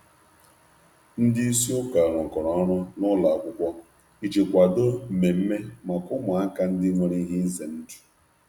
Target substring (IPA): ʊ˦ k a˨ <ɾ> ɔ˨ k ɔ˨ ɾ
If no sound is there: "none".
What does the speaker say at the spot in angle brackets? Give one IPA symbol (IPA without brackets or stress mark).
ɾ